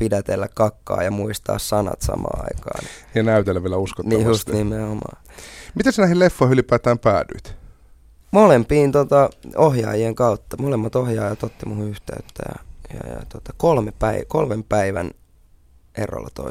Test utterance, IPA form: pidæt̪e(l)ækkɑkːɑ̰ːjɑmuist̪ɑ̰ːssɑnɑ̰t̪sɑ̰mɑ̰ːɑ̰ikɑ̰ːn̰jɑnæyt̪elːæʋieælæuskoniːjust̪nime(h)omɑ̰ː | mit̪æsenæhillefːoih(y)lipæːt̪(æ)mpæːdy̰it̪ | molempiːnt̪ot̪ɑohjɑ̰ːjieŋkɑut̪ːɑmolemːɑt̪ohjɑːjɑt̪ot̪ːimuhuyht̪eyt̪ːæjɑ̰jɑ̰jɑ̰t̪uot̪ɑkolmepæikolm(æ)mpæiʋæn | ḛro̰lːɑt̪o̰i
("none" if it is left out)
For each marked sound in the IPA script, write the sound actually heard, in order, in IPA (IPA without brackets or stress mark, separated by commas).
lː, h, y, æː, e